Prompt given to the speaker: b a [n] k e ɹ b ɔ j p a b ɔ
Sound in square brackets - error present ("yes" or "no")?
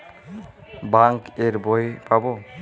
yes